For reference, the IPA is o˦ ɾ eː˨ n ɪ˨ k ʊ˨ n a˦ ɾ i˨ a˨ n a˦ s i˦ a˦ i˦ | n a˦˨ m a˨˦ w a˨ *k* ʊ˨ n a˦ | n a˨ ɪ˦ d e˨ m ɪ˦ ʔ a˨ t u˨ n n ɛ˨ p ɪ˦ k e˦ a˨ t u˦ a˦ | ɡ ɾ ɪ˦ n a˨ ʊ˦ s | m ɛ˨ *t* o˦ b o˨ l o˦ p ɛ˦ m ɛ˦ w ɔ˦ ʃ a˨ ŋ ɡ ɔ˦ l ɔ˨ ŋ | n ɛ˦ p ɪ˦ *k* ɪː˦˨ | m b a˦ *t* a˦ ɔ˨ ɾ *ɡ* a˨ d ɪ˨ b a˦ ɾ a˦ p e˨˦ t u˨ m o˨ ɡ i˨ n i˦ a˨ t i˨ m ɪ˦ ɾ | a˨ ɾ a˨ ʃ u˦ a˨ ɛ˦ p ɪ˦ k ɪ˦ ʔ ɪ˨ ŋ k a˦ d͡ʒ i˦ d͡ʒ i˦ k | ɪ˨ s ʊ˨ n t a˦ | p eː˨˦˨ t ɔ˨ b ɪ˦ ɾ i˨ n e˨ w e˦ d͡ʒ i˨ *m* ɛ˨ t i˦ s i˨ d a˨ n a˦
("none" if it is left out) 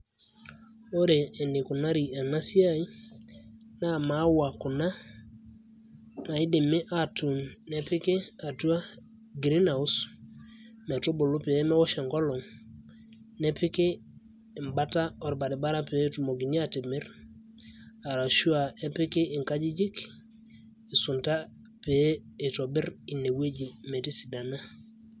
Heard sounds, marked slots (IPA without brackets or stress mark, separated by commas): k, t, k, t, b, m